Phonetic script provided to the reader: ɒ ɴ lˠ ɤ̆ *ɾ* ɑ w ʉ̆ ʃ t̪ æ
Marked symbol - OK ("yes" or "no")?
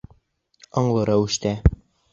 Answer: yes